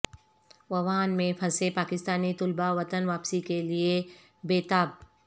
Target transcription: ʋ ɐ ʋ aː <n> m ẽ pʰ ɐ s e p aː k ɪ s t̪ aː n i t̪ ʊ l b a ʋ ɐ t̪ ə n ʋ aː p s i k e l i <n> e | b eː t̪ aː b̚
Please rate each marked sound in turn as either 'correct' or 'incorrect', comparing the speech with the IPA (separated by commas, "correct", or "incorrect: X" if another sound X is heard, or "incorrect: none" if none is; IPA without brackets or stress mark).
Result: correct, incorrect: none